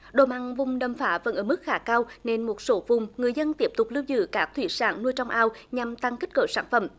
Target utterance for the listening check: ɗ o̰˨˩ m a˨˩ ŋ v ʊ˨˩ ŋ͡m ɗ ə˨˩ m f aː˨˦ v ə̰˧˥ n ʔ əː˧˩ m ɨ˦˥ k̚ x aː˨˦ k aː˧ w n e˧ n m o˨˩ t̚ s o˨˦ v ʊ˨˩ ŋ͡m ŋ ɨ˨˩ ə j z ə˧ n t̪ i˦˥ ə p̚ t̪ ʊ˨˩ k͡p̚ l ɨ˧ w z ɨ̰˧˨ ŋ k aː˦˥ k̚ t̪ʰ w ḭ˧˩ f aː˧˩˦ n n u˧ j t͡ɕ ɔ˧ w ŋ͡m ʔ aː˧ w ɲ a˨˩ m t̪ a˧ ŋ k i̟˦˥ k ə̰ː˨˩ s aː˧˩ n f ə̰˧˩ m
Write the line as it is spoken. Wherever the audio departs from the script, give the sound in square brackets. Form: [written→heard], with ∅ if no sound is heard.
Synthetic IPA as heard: ɗ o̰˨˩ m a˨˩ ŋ v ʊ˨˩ ŋ͡m ɗ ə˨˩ m f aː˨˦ v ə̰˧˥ n ʔ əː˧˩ m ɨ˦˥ k̚ x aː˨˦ k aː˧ w n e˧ n m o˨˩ t̚ s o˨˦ v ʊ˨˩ ŋ͡m ŋ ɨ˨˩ ə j z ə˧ n t̪ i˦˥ ə p̚ t̪ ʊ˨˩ k͡p̚ l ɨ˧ w z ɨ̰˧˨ [ŋ→∅] k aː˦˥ k̚ t̪ʰ w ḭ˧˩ [f→s] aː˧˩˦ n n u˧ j t͡ɕ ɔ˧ w ŋ͡m ʔ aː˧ w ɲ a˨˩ m t̪ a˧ ŋ k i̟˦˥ k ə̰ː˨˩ s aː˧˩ n f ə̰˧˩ m